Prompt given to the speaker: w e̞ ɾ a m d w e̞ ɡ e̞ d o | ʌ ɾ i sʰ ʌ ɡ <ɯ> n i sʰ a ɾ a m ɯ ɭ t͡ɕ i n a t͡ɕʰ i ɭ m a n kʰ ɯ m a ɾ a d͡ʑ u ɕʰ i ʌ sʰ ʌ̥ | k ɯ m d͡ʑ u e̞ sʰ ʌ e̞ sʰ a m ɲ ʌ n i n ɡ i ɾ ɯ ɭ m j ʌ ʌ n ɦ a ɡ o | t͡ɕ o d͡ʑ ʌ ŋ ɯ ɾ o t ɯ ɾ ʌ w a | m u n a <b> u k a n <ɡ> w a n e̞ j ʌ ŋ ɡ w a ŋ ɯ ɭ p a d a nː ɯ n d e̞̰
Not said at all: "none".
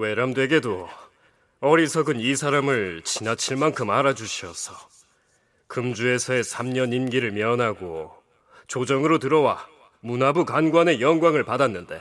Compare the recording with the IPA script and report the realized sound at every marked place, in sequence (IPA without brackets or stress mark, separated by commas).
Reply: ɯ, b, ɡ